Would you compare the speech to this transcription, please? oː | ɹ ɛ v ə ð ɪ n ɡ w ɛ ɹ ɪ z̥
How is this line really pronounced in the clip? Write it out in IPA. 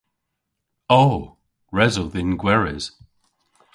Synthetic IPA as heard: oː | ɹ ɛ z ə ð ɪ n ɡ w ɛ ɹ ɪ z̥